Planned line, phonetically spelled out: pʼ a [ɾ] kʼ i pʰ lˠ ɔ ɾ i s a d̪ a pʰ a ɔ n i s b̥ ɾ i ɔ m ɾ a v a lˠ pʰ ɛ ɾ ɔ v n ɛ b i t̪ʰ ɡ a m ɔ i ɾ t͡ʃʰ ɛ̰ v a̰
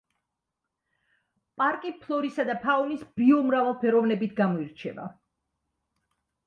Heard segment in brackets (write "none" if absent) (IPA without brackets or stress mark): ɾ